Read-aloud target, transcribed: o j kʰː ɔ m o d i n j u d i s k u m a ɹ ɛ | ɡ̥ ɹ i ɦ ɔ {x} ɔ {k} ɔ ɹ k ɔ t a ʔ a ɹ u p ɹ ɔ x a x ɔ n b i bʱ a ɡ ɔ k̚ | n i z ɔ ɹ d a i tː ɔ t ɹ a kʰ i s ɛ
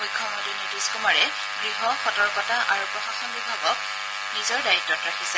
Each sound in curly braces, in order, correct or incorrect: correct, incorrect

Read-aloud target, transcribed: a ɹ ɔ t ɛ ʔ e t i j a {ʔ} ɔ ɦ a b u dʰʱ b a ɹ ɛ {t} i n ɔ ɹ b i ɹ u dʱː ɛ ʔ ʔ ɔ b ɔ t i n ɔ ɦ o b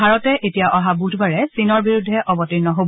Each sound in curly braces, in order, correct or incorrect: correct, incorrect

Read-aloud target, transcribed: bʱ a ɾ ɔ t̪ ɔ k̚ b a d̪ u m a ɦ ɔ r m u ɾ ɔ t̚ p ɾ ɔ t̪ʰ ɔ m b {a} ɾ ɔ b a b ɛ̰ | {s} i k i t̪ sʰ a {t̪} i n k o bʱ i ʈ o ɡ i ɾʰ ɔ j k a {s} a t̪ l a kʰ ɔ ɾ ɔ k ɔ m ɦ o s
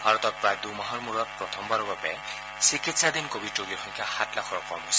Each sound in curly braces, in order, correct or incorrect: correct, correct, incorrect, incorrect

